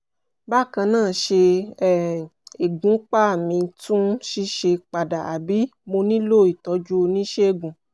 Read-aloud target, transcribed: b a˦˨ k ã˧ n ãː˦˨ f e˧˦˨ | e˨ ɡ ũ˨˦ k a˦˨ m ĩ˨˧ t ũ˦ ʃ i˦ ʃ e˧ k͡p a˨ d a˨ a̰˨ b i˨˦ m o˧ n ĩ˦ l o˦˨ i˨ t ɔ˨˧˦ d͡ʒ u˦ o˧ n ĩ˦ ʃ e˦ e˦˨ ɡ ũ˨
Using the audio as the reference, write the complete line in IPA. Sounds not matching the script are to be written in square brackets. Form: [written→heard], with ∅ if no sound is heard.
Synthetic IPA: b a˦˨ k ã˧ n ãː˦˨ [f→ʃ] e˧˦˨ | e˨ ɡ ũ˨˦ [k→k͡p] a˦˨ m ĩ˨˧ t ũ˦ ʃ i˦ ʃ e˧ k͡p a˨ d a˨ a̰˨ b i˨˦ m o˧ n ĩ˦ l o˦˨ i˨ t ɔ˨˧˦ d͡ʒ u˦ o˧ n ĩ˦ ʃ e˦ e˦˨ ɡ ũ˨